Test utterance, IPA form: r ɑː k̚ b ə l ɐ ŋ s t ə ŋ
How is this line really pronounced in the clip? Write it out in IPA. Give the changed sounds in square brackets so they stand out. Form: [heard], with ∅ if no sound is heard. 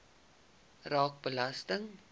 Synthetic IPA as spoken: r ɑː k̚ b ə l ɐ [∅] s t ə ŋ